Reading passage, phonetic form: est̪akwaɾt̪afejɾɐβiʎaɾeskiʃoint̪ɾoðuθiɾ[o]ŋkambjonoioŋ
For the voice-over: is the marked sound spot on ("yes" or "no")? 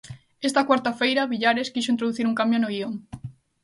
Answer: no